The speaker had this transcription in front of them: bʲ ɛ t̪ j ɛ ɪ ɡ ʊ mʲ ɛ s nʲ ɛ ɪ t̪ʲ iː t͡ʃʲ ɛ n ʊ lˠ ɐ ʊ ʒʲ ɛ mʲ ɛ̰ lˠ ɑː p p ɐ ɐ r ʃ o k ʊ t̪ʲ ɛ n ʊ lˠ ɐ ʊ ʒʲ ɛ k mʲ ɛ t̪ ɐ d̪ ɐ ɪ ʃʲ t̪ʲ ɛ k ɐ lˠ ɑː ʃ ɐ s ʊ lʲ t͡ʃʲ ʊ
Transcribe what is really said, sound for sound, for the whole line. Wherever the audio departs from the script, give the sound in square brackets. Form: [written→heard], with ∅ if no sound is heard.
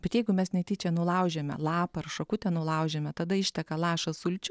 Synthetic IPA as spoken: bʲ ɛ t̪ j ɛ ɪ ɡ ʊ mʲ ɛ s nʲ ɛ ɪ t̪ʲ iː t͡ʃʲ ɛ n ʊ lˠ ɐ ʊ ʒʲ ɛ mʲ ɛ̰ lˠ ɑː p p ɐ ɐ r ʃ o k ʊ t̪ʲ ɛ n ʊ lˠ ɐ ʊ ʒʲ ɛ [k→∅] mʲ ɛ t̪ ɐ d̪ ɐ ɪ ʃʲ t̪ʲ ɛ k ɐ lˠ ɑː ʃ ɐ s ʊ lʲ t͡ʃʲ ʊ

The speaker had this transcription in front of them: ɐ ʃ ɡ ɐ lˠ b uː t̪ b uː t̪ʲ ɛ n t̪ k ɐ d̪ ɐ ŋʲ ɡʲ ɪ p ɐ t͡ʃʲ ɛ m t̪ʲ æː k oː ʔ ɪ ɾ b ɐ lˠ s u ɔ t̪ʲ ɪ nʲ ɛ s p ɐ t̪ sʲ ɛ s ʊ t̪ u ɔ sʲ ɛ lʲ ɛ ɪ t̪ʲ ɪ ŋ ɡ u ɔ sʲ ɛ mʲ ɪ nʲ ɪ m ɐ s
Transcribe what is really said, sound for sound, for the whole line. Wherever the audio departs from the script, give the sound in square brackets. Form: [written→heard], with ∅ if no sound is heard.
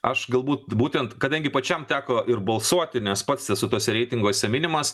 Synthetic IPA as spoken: ɐ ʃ ɡ ɐ lˠ b uː t̪ b uː t̪ʲ ɛ n t̪ k ɐ d̪ ɐ ŋʲ ɡʲ ɪ p ɐ t͡ʃʲ ɛ m t̪ʲ æː k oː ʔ ɪ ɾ b ɐ lˠ s u ɔ t̪ʲ ɪ nʲ ɛ s p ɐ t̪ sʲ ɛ s ʊ t̪ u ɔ sʲ ɛ [lʲ→ɾʲ] ɛ ɪ t̪ʲ ɪ ŋ ɡ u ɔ sʲ ɛ mʲ ɪ nʲ ɪ m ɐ s

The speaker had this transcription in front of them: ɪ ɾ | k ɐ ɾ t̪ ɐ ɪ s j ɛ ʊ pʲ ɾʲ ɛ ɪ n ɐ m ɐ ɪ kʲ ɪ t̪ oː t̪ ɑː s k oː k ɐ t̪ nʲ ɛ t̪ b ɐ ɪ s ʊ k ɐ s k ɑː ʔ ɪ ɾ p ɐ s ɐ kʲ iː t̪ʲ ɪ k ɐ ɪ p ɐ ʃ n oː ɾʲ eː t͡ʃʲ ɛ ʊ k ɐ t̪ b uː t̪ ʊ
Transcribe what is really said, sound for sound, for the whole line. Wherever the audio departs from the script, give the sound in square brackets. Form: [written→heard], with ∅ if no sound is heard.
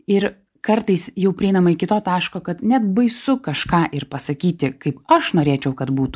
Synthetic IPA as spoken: ɪ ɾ | k ɐ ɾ t̪ ɐ ɪ s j ɛ ʊ pʲ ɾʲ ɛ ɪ n ɐ m ɐ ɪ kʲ ɪ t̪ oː t̪ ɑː [s→ʃ] k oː k ɐ t̪ nʲ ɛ t̪ b ɐ ɪ s ʊ k ɐ [s→ʃ] k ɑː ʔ ɪ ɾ p ɐ s ɐ kʲ iː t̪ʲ ɪ k ɐ ɪ p ɐ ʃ n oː ɾʲ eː t͡ʃʲ ɛ ʊ k ɐ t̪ b uː t̪ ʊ

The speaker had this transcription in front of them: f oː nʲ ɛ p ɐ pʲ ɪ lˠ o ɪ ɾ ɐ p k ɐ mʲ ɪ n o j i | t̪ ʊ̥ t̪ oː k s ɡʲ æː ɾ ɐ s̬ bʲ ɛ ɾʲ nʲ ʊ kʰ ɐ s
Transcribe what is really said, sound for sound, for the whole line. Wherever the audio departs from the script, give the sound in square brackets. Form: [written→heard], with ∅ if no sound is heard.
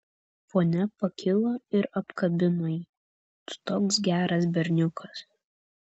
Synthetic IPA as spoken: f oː nʲ ɛ p ɐ [pʲ→kʲ] ɪ lˠ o ɪ ɾ ɐ p k ɐ [mʲ→bʲ] ɪ n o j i | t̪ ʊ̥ t̪ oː k s ɡʲ æː ɾ ɐ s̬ bʲ ɛ ɾʲ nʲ ʊ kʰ ɐ s

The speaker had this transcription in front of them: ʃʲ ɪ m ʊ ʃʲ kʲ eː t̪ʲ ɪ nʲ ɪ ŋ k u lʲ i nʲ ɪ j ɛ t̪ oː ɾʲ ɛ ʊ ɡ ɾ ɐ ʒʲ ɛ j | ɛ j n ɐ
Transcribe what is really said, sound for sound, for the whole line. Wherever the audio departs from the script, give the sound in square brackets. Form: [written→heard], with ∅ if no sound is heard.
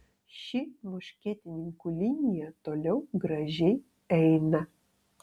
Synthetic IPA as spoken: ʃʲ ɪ m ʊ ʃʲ kʲ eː t̪ʲ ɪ nʲ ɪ ŋ k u lʲ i nʲ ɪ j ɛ t̪ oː [ɾʲ→lʲ] ɛ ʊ ɡ ɾ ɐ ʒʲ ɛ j | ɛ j n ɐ

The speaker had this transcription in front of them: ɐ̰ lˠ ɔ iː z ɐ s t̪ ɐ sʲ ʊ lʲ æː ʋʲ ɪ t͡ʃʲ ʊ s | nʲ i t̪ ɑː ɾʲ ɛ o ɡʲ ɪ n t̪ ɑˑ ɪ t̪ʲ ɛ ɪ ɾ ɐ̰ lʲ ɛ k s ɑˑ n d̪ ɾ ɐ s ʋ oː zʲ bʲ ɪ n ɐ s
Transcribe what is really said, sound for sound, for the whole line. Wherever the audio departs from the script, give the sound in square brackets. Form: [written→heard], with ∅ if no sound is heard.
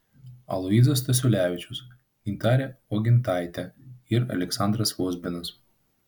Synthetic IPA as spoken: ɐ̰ lˠ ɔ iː z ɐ s t̪ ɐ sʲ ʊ lʲ æː ʋʲ ɪ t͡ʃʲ ʊ s | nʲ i t̪ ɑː ɾʲ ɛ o ɡʲ ɪ n t̪ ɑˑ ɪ t̪ʲ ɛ ɪ ɾ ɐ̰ lʲ ɛ k s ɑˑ n d̪ ɾ ɐ s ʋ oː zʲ bʲ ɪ n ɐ s

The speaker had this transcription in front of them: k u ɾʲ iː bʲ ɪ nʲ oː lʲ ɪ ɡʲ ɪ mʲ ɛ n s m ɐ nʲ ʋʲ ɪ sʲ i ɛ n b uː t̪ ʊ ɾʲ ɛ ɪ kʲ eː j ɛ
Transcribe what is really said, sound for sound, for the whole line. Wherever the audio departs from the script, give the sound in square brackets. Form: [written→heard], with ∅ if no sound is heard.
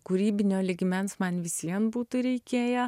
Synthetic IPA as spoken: k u ɾʲ iː bʲ ɪ nʲ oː lʲ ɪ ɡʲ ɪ mʲ ɛ n s m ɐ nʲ ʋʲ ɪ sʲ i ɛ n b uː t̪ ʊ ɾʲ ɛ ɪ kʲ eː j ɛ

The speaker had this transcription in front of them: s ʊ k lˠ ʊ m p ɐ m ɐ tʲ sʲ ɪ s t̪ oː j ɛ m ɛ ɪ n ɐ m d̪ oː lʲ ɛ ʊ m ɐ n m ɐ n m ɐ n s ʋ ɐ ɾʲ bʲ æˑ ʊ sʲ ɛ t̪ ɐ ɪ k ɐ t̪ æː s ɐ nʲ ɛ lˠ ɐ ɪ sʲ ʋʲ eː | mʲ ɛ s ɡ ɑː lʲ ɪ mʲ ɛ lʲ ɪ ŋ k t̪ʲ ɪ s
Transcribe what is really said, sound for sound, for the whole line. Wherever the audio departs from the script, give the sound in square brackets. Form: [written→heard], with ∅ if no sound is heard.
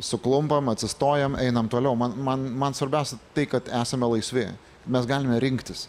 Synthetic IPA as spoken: s ʊ k lˠ ʊ m p ɐ m ɐ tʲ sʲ ɪ s t̪ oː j ɛ m ɛ ɪ n ɐ m [d̪→t̪] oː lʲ ɛ ʊ m ɐ n m ɐ n m ɐ n s ʋ ɐ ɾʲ bʲ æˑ ʊ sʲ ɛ t̪ ɐ ɪ k ɐ t̪ æː s ɐ [nʲ→mʲ] ɛ lˠ ɐ ɪ sʲ ʋʲ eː | mʲ ɛ s ɡ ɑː lʲ ɪ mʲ ɛ [lʲ→ɾʲ] ɪ ŋ k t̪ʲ ɪ s

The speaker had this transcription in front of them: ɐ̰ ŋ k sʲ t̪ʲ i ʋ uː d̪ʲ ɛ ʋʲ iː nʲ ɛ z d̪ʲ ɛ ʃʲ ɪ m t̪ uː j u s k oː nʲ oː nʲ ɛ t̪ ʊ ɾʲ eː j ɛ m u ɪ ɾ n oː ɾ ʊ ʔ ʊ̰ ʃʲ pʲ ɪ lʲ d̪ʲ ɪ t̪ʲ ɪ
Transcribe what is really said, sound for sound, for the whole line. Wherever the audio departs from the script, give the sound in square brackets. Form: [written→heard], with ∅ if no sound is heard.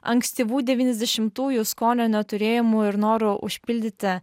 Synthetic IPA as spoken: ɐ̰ ŋ k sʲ t̪ʲ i ʋ uː d̪ʲ ɛ ʋʲ iː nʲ ɛ z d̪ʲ ɛ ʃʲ ɪ m t̪ uː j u s k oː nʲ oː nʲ ɛ t̪ ʊ ɾʲ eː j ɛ m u ɪ ɾ n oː ɾ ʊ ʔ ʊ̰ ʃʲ pʲ ɪ lʲ d̪ʲ ɪ t̪ʲ ɪ

